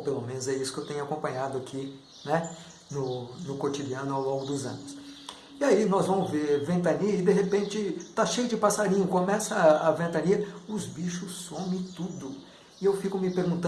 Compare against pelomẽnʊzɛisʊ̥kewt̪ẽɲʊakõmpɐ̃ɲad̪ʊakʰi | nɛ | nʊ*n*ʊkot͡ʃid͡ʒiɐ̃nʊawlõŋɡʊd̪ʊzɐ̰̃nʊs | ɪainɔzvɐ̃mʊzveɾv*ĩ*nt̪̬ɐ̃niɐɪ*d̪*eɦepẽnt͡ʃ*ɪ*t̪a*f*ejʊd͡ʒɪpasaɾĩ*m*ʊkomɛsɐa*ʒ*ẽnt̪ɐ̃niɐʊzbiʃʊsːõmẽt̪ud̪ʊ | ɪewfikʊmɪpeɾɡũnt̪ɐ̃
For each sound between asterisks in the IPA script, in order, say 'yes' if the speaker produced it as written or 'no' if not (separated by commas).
yes, no, yes, yes, no, no, no